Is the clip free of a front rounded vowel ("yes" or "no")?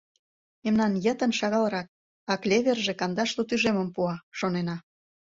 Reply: no